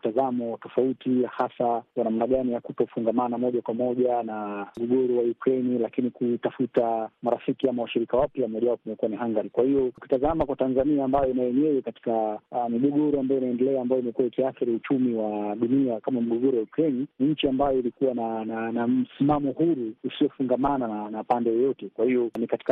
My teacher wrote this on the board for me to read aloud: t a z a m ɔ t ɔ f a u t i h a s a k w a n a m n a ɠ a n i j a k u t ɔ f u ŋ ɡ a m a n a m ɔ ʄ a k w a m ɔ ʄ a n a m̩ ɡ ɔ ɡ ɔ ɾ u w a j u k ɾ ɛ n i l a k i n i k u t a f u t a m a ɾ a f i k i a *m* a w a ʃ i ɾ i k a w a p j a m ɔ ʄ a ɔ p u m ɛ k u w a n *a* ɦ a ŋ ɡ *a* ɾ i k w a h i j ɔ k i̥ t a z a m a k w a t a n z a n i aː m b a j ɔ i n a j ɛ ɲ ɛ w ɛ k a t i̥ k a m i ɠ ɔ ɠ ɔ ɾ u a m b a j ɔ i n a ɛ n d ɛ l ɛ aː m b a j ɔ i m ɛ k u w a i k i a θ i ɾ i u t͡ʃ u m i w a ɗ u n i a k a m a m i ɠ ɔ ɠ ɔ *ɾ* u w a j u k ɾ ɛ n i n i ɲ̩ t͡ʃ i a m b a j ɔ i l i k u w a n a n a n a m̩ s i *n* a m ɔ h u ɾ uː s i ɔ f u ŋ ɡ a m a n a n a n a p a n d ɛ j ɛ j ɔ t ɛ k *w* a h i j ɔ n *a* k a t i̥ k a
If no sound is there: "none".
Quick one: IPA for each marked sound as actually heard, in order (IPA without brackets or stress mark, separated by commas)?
m, i, a, ɾ, m, w, i